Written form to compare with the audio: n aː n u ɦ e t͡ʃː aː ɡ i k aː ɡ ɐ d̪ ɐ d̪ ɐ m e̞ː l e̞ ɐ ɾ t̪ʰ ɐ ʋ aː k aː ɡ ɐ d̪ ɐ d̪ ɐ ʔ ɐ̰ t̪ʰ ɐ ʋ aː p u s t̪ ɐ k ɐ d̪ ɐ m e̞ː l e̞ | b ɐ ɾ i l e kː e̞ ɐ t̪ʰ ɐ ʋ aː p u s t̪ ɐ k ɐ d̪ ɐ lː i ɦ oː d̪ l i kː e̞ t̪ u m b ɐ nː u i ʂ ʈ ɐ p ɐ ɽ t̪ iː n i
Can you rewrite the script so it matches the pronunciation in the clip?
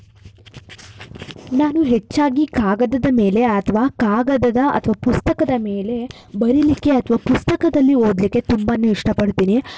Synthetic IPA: n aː n u ɦ e t͡ʃː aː ɡ i k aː ɡ ɐ d̪ ɐ d̪ ɐ m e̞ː l e̞ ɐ t̪ʰ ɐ ʋ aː k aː ɡ ɐ d̪ ɐ d̪ ɐ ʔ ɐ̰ t̪ʰ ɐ ʋ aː p u s t̪ ɐ k ɐ d̪ ɐ m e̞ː l e̞ | b ɐ ɾ i l i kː e̞ ɐ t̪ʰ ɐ ʋ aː p u s t̪ ɐ k ɐ d̪ ɐ lː i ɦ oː d̪ l i kː e̞ t̪ u m b ɐ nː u i ʂ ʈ ɐ p ɐ ɽ t̪ iː n i